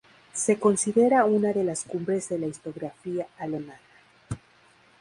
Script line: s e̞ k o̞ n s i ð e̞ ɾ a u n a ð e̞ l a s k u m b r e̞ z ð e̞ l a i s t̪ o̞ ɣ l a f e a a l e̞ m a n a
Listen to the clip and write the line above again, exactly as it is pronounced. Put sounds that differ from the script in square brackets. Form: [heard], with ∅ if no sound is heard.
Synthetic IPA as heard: s e̞ k o̞ n s i ð e̞ ɾ a u n a ð e̞ l a s k u m b [ɾ] e̞ z ð e̞ l a i s t̪ o̞ ɣ [ɾ] a f [i] a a l e̞ m a n a